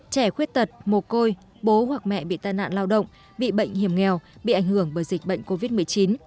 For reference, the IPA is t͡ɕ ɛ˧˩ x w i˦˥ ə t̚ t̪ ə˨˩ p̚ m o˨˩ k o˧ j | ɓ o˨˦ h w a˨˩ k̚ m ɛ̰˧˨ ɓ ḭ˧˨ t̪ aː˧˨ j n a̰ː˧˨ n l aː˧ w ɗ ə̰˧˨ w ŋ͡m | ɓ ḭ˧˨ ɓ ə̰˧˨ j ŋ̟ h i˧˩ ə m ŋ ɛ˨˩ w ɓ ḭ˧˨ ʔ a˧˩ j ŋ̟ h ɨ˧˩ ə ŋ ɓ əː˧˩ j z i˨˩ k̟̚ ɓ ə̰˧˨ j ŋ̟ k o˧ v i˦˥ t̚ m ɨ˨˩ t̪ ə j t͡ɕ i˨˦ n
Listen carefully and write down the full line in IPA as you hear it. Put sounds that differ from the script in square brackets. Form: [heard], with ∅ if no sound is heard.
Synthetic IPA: t͡ɕ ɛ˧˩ x w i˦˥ ə t̚ t̪ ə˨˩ [t̚] m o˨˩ k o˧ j | ɓ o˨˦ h w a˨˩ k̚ m ɛ̰˧˨ ɓ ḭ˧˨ t̪ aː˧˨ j n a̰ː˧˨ n l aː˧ w ɗ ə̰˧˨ w ŋ͡m | ɓ ḭ˧˨ ɓ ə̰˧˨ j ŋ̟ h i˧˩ ə m ŋ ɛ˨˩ w ɓ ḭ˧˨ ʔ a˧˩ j ŋ̟ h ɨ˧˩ ə ŋ ɓ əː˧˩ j z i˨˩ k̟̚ ɓ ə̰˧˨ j ŋ̟ k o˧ v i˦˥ t̚ m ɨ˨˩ [∅] ə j t͡ɕ i˨˦ n